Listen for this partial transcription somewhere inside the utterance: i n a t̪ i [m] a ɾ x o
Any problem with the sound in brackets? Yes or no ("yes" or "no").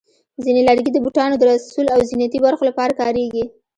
yes